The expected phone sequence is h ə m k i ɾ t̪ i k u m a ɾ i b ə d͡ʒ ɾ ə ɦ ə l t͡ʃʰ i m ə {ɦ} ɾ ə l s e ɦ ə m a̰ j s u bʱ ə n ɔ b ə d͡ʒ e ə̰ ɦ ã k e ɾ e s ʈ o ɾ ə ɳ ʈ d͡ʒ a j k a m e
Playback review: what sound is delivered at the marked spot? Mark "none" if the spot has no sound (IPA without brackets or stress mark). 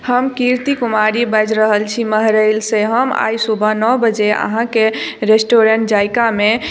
ɦ